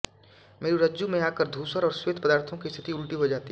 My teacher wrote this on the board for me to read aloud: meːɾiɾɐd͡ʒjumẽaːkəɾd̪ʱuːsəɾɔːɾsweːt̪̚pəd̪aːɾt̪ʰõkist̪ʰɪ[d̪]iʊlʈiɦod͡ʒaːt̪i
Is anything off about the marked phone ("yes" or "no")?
yes